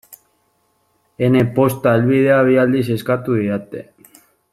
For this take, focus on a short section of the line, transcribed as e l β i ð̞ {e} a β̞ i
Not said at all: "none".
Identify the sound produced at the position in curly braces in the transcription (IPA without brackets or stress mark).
e